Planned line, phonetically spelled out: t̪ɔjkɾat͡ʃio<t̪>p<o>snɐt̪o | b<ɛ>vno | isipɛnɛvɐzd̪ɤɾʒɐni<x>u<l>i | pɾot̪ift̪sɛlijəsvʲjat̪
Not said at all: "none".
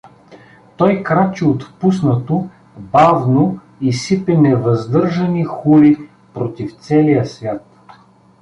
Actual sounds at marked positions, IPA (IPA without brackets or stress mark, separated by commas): t̪, u, a, x, l